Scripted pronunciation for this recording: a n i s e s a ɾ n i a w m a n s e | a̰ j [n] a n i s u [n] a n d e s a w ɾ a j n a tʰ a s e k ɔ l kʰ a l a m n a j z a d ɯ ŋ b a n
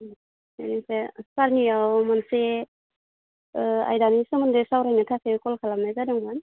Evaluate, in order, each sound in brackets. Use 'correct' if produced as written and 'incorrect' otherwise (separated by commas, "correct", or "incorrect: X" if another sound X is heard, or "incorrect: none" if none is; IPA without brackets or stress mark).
incorrect: d, incorrect: m